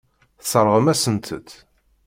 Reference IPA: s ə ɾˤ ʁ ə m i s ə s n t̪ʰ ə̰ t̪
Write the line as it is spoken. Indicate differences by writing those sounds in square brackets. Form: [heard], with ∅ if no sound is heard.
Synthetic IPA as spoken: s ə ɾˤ ʁ ə m [æ] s ə [∅] n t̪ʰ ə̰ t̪